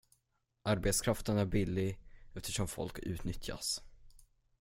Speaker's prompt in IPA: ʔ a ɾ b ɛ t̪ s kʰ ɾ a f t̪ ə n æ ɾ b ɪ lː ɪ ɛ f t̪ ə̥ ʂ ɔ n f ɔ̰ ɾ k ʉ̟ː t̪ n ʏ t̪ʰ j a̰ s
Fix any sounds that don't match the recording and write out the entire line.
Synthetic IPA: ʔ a ɾ b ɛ t̪ s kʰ ɾ a f t̪ ə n æ ɾ b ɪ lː ɪ ɛ f t̪ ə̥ ʂ ɔ m f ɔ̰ l k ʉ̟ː t̪ n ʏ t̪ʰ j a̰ s

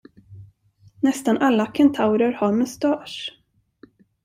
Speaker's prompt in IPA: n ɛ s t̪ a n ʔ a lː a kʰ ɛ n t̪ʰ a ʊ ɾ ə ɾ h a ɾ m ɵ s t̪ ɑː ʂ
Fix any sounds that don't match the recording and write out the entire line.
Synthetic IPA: n ɛ s t̪ a n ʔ a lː a kʰ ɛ n t̪ʰ a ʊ ɾ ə ɾ h a ɾ m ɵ s t̪ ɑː ʂ

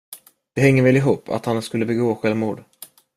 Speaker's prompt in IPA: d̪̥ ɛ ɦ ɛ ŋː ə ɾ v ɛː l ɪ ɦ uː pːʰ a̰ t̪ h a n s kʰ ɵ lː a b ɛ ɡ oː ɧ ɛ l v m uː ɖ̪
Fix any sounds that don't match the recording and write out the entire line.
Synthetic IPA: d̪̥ ɛ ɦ ɛ ŋː ə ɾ v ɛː l ɪ ɦ uː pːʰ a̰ t̪ h a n s k ɵ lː ə b ɛ ɡ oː ɧ ɛ l v m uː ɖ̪

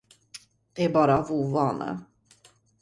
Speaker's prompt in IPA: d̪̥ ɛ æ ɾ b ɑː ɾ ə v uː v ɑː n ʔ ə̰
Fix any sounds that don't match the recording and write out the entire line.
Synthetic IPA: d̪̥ ɛ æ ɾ b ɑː ɾ a v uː v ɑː n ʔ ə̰

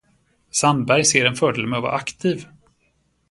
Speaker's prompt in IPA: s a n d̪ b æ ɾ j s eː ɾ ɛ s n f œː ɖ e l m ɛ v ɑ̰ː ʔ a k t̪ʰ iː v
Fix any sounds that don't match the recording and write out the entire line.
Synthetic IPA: s a n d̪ b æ ɾ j s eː ɾ ɛ n f œː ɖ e l m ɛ v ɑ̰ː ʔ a k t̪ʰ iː v

